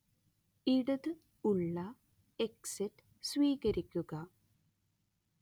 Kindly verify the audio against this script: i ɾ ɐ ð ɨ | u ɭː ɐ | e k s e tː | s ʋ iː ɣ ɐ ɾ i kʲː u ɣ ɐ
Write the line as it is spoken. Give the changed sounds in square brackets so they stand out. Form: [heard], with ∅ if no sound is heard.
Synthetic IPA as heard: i [ɽ] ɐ ð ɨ | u ɭː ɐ | e k s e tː | s ʋ iː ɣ ɐ ɾ i kʲː u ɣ ɐ